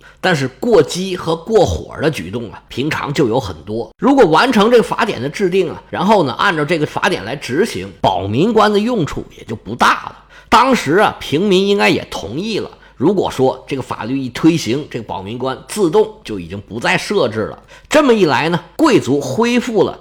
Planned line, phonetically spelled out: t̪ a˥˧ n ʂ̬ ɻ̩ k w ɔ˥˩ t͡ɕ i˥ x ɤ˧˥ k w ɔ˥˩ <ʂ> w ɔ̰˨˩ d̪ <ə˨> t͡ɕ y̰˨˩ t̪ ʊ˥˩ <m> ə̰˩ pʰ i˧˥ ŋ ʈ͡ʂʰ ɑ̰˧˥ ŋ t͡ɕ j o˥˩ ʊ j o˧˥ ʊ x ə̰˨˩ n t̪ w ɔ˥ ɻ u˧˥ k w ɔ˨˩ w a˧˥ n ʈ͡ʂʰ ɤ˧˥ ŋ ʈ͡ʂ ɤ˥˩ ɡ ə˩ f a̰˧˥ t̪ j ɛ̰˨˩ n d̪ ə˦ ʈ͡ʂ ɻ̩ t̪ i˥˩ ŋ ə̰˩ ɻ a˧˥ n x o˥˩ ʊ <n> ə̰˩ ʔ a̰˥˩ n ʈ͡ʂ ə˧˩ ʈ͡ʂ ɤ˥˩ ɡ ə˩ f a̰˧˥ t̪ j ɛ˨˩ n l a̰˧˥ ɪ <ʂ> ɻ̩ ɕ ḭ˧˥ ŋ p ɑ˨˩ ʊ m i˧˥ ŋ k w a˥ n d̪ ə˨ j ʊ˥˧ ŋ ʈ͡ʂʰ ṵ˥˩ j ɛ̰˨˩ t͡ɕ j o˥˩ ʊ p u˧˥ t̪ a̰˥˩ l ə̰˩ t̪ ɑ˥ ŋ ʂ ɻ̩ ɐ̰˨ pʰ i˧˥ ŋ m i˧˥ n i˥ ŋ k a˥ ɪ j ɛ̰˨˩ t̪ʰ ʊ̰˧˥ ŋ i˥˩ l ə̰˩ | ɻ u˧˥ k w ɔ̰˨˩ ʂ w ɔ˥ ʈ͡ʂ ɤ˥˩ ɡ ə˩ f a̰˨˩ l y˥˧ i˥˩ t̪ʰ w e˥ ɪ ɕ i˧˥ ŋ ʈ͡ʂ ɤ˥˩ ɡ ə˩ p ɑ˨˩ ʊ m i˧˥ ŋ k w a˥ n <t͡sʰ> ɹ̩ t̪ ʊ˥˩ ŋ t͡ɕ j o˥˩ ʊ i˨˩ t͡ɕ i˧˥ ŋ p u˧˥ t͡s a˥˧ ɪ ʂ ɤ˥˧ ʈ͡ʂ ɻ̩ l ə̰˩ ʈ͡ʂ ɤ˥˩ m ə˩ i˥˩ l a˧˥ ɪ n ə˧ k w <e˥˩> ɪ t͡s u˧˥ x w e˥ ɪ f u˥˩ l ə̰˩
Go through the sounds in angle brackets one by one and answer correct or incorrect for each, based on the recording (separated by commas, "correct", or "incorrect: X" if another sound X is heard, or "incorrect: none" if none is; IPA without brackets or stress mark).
incorrect: x, incorrect: ə˦, incorrect: ŋ, correct, incorrect: ʈ͡ʂ, incorrect: t͡s, correct